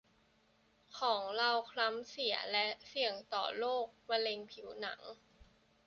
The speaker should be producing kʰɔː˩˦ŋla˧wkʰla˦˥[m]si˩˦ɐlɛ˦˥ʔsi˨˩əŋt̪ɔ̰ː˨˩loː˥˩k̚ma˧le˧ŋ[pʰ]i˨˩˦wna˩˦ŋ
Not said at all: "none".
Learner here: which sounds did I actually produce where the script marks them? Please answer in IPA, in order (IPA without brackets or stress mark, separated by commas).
m, pʰ